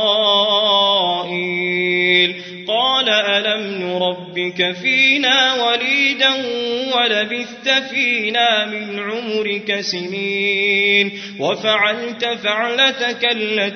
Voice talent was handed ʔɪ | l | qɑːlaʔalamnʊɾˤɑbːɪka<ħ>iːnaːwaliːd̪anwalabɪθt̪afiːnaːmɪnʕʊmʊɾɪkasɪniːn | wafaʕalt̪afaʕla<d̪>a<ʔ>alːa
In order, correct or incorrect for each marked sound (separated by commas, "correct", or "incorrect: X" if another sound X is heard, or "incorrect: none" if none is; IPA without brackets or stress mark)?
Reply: incorrect: f, incorrect: t̪, incorrect: k